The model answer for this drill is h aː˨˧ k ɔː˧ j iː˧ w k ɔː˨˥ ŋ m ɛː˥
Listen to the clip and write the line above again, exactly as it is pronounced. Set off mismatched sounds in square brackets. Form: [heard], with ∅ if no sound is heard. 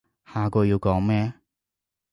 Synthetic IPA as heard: h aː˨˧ k ɔː˧ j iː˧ w k ɔː˨˥ ŋ m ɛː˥

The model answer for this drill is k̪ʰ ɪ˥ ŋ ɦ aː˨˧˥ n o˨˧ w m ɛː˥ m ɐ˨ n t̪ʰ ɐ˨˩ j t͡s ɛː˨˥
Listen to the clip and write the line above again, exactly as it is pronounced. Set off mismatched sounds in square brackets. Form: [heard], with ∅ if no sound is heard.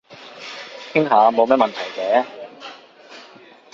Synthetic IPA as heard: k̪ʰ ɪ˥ ŋ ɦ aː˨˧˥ [m] o˨˧ w m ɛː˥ m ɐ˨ n t̪ʰ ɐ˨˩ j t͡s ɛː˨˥

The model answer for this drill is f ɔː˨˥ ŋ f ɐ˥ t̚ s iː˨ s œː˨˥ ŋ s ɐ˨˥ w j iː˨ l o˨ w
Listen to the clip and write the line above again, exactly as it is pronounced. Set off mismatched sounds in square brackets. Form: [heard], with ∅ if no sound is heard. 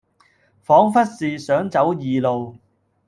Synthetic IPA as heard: f ɔː˨˥ ŋ f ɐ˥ t̚ s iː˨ s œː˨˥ ŋ [t͡s] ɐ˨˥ w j iː˨ l o˨ w

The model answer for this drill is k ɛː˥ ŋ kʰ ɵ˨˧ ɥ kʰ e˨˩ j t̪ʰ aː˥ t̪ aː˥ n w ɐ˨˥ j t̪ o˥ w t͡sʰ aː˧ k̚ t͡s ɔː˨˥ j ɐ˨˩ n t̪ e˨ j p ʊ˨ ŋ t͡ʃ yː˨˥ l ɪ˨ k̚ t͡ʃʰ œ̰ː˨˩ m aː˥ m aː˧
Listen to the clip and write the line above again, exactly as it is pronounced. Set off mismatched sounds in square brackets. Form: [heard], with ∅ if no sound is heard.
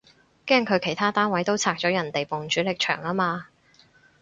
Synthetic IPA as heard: k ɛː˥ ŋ kʰ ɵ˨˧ ɥ kʰ e˨˩ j t̪ʰ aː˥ t̪ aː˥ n w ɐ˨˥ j t̪ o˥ w t͡sʰ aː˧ k̚ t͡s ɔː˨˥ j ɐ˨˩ n t̪ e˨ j p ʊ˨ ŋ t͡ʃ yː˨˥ l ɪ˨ k̚ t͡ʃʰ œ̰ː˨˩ [ŋ] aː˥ m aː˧

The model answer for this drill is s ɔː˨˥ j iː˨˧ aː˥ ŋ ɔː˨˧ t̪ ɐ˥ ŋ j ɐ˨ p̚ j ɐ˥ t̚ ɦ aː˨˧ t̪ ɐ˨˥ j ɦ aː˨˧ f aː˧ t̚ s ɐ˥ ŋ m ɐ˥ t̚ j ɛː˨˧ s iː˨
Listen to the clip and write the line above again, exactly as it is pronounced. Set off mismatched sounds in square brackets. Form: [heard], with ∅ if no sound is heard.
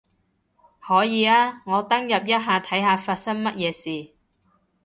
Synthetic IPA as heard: [h] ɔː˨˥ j iː˨˧ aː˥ ŋ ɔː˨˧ t̪ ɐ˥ ŋ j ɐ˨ p̚ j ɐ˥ t̚ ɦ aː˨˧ [t̪ʰ] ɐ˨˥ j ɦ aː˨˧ f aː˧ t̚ s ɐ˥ ŋ m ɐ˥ t̚ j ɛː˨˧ s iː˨

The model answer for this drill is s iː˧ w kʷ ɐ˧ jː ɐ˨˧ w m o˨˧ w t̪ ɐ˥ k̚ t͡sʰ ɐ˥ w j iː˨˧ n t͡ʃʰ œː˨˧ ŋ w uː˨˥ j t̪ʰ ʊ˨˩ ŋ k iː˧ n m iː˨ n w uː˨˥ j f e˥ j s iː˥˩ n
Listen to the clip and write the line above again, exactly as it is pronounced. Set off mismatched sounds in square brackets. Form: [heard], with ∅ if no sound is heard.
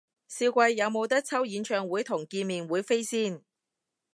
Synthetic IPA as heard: s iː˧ w kʷ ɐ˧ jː ɐ˨˧ w m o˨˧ w t̪ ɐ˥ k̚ t͡sʰ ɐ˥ w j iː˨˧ n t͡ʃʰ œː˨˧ ŋ w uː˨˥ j t̪ʰ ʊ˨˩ ŋ k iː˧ n m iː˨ n w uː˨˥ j f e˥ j s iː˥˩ n

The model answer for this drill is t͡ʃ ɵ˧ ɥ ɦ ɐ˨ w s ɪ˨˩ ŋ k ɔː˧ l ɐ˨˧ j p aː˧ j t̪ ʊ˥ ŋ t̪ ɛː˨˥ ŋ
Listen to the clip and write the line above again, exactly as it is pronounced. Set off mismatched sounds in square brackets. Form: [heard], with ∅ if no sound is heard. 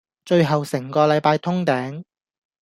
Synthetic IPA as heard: t͡ʃ ɵ˧ ɥ ɦ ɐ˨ w s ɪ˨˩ ŋ k ɔː˧ l ɐ˨˧ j p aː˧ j [t̪ʰ] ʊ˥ ŋ t̪ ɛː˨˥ ŋ

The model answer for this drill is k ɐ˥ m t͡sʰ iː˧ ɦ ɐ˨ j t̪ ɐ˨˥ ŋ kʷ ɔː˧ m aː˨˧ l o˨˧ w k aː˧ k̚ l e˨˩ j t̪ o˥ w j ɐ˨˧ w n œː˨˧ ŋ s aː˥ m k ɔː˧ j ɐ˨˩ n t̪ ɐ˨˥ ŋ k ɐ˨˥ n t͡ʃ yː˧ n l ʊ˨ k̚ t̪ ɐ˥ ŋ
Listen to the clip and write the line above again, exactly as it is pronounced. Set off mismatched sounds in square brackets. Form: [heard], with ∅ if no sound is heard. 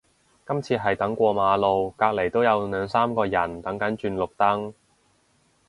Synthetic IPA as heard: k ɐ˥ m t͡sʰ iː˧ ɦ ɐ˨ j t̪ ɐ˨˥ ŋ kʷ ɔː˧ m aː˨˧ l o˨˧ w k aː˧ k̚ l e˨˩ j t̪ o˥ w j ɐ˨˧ w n œː˨˧ ŋ s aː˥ m k ɔː˧ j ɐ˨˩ n t̪ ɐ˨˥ ŋ k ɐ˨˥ n t͡ʃ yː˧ n l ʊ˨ k̚ t̪ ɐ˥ ŋ

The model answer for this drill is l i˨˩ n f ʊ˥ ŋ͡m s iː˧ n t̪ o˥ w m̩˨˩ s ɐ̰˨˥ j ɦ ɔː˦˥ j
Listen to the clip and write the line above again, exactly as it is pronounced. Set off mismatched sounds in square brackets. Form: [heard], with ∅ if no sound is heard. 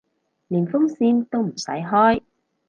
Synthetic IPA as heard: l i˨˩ n f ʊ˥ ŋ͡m s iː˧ n t̪ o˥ w m̩˨˩ s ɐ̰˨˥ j ɦ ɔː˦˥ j

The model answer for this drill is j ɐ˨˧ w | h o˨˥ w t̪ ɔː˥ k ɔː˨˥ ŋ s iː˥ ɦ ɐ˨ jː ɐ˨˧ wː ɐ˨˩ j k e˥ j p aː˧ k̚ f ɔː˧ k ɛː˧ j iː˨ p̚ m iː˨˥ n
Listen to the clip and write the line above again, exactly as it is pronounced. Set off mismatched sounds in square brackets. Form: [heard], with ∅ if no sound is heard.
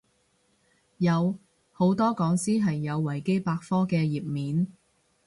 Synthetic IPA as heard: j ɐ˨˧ w | h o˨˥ w t̪ ɔː˥ k ɔː˨˥ ŋ s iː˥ ɦ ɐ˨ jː ɐ˨˧ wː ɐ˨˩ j k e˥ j p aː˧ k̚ f [ɔː˥] k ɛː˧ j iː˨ p̚ m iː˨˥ n

